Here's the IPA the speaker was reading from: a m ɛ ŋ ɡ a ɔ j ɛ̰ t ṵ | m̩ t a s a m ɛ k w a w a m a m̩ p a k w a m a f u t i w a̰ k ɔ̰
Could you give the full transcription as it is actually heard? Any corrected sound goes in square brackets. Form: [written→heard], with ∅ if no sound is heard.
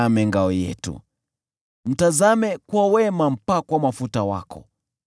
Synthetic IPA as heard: a m ɛ ŋ ɡ a ɔ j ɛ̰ t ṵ | m̩ t a [s→z] a m ɛ k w a w [a→ɛ] m a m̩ p a k w a m a f u t [i→a] w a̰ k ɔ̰